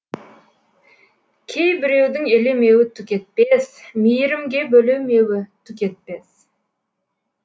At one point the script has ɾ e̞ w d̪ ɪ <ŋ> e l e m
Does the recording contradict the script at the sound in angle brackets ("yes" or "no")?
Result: no